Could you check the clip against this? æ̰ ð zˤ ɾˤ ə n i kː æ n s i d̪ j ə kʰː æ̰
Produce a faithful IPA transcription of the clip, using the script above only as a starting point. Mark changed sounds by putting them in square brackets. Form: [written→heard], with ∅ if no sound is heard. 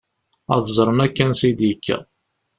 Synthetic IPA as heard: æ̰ ð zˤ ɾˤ ə n [i→æ] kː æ n s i d̪ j ə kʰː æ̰